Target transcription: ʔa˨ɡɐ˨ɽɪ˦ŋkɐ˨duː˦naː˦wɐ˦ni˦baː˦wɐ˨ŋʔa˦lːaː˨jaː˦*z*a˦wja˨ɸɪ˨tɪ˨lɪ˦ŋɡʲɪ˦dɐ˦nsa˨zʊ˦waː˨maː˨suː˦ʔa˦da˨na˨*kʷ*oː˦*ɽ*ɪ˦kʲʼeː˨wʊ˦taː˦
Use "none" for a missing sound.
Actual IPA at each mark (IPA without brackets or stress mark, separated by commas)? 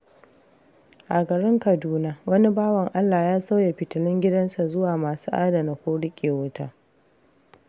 s, kʷ, ɽ